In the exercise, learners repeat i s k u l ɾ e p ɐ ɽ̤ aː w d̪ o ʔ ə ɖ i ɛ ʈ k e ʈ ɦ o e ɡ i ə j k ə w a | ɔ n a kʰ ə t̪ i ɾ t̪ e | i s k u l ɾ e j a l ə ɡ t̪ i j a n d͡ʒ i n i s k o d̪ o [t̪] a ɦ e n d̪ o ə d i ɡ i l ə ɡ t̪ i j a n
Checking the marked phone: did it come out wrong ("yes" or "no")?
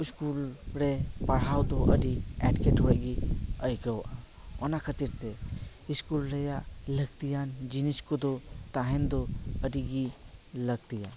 no